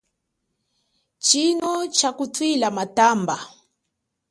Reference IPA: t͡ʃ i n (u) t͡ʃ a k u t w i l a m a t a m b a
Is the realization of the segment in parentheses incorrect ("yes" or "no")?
yes